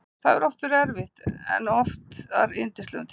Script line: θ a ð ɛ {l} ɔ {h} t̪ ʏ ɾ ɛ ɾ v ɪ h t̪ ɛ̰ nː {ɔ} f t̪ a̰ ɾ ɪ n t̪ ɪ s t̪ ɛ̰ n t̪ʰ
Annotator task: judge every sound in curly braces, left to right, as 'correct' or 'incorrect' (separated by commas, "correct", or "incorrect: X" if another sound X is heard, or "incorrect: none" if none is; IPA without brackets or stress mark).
incorrect: ɾ, incorrect: f, correct